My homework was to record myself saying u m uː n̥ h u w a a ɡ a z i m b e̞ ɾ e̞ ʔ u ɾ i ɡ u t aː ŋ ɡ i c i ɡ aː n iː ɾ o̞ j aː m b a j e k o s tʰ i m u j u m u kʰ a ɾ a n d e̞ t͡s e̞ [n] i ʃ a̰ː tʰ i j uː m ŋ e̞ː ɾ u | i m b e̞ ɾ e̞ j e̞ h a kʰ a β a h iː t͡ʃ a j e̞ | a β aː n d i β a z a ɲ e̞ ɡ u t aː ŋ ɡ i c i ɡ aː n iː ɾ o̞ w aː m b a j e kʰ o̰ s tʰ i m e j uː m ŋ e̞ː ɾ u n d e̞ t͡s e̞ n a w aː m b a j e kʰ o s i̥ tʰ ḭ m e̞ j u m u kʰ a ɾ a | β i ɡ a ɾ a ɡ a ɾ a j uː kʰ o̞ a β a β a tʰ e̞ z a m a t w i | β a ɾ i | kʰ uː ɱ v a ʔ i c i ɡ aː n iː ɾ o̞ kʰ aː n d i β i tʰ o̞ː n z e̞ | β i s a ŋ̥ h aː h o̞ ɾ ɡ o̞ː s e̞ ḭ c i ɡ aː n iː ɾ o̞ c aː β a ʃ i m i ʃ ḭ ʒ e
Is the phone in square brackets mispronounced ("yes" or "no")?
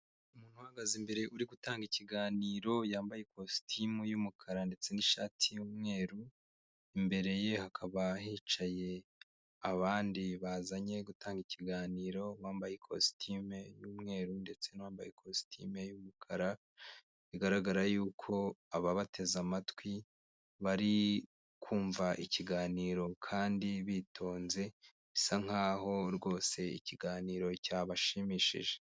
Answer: no